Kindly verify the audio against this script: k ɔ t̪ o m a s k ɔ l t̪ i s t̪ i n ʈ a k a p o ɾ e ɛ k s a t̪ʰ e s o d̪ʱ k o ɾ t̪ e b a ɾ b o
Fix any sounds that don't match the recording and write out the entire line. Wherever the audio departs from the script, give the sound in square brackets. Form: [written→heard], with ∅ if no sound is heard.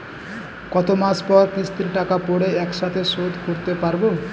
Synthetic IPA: k ɔ t̪ o m a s [k→p] ɔ [l→ɾ] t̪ i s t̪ i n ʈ a k a p o [ɾ→ɽ] e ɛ k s a t̪ʰ e s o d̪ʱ k o ɾ t̪ e [b→p] a ɾ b o